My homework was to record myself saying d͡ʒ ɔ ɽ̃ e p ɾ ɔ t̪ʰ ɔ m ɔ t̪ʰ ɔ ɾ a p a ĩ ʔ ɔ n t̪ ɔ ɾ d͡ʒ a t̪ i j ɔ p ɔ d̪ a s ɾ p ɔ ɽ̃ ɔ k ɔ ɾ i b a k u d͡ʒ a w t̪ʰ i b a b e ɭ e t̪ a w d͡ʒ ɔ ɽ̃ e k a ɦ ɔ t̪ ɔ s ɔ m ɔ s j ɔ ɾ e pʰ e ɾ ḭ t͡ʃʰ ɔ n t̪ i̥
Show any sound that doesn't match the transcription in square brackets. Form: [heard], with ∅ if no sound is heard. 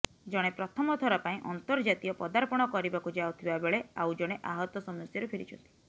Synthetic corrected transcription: d͡ʒ ɔ ɽ̃ e p ɾ ɔ t̪ʰ ɔ m ɔ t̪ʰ ɔ ɾ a p a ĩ ʔ ɔ n t̪ ɔ ɾ d͡ʒ a t̪ i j ɔ p ɔ d̪ a [∅] ɾ p ɔ ɽ̃ ɔ k ɔ ɾ i b a k u d͡ʒ a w t̪ʰ i b a b e ɭ e [∅] a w d͡ʒ ɔ ɽ̃ e [ʔ] a ɦ ɔ t̪ ɔ s ɔ m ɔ s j ɔ ɾ e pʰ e ɾ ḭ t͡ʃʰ ɔ n t̪ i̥